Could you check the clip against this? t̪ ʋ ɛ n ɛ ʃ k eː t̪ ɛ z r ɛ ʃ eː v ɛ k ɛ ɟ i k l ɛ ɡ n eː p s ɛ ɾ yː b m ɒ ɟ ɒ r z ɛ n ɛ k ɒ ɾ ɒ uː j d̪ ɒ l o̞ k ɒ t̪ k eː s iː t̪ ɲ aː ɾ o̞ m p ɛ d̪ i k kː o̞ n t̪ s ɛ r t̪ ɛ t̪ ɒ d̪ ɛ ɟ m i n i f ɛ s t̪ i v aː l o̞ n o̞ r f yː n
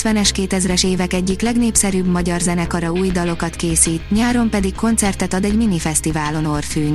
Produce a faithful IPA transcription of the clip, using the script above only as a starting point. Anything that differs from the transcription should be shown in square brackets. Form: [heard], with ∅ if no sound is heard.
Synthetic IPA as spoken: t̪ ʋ ɛ n ɛ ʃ k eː t̪ ɛ z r ɛ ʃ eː v ɛ k ɛ [ɟː] i k l ɛ ɡ n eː p s ɛ ɾ yː b m ɒ ɟ ɒ r z ɛ n ɛ k ɒ ɾ ɒ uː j d̪ ɒ l o̞ k ɒ t̪ k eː s iː t̪ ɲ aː ɾ o̞ m p ɛ d̪ i k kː o̞ n t̪ s ɛ r t̪ ɛ t̪ ɒ d̪ ɛ ɟ m i n i f ɛ s t̪ i v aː l o̞ n o̞ r f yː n